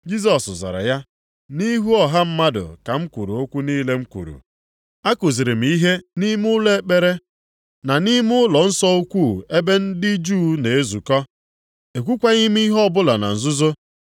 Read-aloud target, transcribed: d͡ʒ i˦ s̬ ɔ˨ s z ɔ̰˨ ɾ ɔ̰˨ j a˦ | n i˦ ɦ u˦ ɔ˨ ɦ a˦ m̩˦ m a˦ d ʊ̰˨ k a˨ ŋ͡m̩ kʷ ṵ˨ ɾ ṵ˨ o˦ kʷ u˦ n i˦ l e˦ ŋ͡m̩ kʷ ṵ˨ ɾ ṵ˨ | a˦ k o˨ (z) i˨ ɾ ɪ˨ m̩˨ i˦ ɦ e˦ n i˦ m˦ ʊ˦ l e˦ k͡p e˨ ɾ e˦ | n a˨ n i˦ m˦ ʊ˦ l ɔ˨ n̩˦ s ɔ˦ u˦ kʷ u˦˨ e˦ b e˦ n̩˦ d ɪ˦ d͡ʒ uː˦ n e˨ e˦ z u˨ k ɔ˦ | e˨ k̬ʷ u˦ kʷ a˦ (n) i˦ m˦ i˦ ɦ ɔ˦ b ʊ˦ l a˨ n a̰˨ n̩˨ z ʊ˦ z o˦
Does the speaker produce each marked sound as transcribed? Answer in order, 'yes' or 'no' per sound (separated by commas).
yes, no